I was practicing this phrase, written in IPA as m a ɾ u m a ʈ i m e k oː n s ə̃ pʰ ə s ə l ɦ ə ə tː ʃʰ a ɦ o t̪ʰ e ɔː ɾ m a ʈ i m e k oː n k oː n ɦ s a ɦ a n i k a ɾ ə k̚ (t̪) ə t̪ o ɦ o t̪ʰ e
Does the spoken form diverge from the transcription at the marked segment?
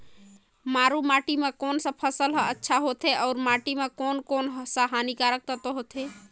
no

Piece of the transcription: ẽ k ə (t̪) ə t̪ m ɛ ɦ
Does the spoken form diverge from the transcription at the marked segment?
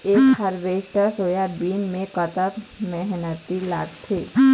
no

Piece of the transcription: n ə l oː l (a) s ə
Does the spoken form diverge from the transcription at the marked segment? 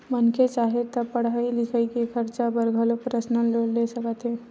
yes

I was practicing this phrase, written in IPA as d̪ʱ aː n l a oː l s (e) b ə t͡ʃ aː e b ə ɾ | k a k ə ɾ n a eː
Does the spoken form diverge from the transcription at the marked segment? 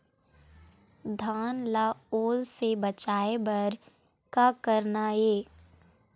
no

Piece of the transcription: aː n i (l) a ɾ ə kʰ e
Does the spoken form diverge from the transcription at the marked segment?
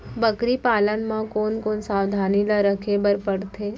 no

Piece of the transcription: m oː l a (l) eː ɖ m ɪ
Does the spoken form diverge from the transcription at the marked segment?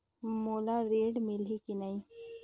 yes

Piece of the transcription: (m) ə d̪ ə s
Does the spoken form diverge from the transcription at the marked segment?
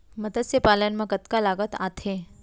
no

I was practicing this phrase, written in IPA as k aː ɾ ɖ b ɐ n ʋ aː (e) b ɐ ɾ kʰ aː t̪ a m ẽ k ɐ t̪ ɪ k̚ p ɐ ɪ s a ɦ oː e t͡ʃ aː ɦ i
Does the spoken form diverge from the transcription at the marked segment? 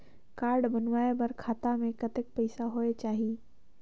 no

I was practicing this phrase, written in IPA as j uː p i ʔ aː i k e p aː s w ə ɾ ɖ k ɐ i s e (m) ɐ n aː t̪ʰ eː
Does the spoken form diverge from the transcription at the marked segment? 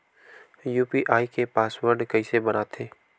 yes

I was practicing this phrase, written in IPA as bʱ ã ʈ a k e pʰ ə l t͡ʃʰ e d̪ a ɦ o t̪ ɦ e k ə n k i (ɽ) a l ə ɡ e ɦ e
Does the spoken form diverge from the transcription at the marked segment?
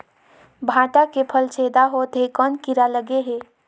yes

